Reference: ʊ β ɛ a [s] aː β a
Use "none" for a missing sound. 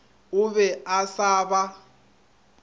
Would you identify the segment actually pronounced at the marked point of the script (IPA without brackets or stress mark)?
s